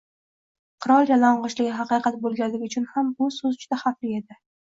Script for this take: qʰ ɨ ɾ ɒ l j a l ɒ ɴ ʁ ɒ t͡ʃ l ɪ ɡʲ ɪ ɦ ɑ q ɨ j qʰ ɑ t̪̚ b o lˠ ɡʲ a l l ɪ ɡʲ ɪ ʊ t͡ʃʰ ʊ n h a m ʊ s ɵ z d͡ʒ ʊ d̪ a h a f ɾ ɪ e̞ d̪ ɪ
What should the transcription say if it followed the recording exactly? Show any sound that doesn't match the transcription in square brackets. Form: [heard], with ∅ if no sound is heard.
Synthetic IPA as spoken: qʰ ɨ ɾ ɒ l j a l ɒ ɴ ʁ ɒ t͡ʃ l ɪ ɡʲ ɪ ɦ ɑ q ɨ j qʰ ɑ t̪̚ b o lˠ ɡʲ a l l ɪ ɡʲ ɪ ʊ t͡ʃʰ ʊ n h a m ʊ s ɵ z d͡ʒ ʊ d̪ a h a f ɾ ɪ e̞ d̪ ɪ